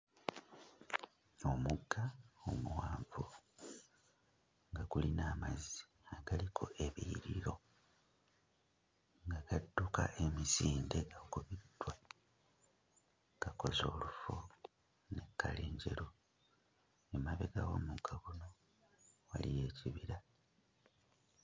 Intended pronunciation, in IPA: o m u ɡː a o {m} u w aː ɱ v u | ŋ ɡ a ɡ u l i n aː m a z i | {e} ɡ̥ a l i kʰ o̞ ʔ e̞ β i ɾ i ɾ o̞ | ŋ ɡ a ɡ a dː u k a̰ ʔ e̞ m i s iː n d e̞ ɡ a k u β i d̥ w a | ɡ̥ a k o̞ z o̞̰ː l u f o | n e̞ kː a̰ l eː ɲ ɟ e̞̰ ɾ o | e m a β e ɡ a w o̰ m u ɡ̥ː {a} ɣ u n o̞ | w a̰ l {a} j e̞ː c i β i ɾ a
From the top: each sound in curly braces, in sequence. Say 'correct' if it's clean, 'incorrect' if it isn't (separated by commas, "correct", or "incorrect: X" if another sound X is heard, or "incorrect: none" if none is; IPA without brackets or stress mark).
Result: correct, incorrect: a, correct, incorrect: i